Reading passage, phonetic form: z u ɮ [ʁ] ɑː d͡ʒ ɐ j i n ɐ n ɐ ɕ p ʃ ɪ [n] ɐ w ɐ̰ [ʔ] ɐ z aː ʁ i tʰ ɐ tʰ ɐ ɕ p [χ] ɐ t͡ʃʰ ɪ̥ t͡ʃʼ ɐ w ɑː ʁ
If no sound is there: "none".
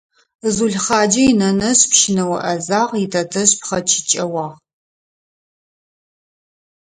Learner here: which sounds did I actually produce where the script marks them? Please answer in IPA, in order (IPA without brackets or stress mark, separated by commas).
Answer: χ, n, ʔ, χ